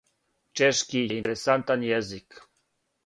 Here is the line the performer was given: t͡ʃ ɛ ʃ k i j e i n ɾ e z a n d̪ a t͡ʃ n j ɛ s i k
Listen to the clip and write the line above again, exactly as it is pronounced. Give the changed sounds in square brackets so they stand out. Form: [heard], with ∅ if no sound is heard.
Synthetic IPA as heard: t͡ʃ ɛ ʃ k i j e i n ɾ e [s] a n [t̪] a [∅] n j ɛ [z] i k